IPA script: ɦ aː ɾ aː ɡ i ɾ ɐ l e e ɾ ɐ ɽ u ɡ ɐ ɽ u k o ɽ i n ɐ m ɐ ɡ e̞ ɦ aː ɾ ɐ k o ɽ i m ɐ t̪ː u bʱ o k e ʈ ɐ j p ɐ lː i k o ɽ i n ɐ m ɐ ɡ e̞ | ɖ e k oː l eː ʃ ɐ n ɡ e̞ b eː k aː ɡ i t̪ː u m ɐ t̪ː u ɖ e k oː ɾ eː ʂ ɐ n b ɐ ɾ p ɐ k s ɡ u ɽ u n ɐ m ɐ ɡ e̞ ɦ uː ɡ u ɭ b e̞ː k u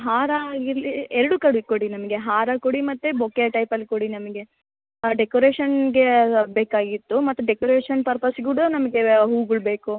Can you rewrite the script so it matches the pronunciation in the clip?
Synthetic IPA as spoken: ɦ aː ɾ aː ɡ i ɾ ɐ l i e ɾ ɐ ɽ u k ɐ ɽ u k o ɽ i n ɐ m ɐ ɡ e̞ ɦ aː ɾ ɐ k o ɽ i m ɐ t̪ː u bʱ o k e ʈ ɐ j p ɐ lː i k o ɽ i n ɐ m ɐ ɡ e̞ | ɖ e k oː ɾ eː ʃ ɐ n ɡ e̞ b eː k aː ɡ i t̪ː u m ɐ t̪ː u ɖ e k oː ɾ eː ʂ ɐ n p ɐ ɾ p ɐ s ɡ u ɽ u n ɐ m ɐ ɡ e̞ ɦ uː ɡ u ɭ b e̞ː k u